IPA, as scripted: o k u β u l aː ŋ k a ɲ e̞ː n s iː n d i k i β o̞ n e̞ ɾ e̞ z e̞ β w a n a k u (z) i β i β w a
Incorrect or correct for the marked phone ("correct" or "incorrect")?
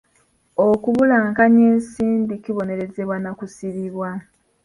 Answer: incorrect